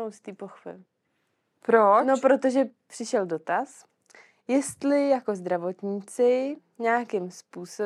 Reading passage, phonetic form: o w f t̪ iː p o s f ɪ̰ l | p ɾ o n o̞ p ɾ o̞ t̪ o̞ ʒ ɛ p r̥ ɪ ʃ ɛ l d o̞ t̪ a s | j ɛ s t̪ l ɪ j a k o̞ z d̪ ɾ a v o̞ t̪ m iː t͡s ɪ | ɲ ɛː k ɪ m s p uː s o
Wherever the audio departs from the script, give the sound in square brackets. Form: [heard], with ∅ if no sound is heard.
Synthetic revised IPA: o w [s] t̪ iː p o [x] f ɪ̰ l | p ɾ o n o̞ p ɾ o̞ t̪ o̞ ʒ ɛ p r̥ ɪ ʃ ɛ l d o̞ t̪ a s | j ɛ s t̪ l ɪ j a k o̞ z d̪ ɾ a v o̞ t̪ [ɲ] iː t͡s ɪ | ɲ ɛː k ɪ m s p uː s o